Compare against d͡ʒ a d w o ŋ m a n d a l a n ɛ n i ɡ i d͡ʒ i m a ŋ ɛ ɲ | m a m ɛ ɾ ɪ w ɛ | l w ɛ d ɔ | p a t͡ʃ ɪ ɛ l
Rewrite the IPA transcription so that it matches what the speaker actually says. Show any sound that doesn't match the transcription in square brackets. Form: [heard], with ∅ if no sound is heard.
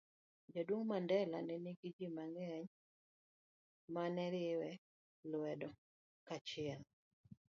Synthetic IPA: d͡ʒ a d w o ŋ m a n d [ɛ] l a n ɛ n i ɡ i d͡ʒ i m a ŋ ɛ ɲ | m a [n] ɛ ɾ ɪ w ɛ | l w ɛ d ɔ | [k] a t͡ʃ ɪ ɛ l